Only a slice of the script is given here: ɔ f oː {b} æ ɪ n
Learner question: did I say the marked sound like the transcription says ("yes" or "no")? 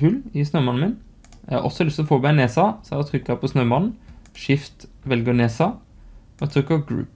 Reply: yes